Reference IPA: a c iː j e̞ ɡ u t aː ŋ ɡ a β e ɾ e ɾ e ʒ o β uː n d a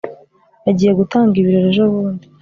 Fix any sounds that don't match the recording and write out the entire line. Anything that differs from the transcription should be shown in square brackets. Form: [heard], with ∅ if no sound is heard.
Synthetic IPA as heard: a [ɟ] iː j e̞ ɡ u t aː ŋ ɡ [i] β [i] ɾ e ɾ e ʒ o β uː n d [i]